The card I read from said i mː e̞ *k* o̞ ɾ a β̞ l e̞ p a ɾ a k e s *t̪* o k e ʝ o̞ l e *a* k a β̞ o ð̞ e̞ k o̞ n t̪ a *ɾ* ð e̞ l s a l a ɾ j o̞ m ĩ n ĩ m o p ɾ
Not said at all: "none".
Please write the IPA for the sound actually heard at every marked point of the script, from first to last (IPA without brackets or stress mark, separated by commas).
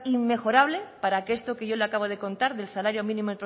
x, t̪, a, ɾ